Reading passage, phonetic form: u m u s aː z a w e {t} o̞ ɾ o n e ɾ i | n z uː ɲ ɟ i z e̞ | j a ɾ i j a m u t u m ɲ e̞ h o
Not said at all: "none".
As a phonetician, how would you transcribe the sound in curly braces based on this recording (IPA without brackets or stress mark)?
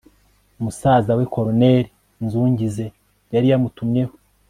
k